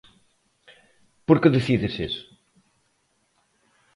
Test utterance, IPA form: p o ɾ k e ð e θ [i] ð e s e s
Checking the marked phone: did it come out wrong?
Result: no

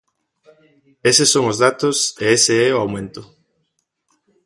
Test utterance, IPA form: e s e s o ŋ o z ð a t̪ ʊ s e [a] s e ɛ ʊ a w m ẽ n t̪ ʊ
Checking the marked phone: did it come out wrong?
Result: yes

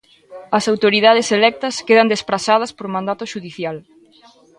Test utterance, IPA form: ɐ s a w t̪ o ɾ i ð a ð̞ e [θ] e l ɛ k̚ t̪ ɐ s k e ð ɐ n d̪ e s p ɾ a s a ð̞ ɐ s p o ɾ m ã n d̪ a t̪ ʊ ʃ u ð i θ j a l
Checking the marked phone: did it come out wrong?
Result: yes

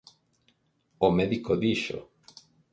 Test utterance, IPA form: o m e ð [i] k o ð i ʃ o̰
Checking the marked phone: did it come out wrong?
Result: no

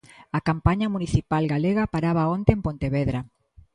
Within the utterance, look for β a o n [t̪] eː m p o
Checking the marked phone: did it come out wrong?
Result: no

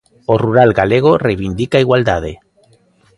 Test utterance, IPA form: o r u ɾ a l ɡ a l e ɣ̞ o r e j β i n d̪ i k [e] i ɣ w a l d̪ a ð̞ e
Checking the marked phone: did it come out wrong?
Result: yes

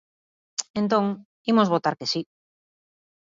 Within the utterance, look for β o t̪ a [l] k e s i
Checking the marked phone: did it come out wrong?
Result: yes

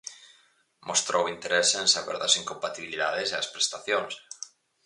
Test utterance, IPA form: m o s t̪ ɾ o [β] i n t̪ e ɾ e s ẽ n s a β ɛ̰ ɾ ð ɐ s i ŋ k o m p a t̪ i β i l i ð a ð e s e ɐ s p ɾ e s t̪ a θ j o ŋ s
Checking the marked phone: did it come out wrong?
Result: yes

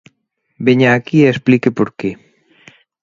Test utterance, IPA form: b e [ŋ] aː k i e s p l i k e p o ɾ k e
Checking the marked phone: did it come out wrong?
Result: yes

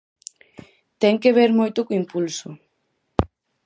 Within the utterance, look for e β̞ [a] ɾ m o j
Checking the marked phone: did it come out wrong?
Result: yes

